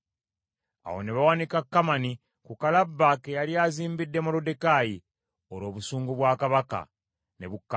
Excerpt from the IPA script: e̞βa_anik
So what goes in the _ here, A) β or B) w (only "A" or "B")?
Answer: B